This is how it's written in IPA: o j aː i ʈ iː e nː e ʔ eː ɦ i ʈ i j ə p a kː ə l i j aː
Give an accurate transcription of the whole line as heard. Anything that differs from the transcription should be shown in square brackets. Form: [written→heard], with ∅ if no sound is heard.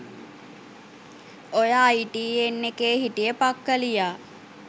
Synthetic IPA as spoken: o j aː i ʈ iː e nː e [ʔ→k] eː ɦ i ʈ i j ə p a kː ə l i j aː